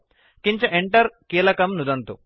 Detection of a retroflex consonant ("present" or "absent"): present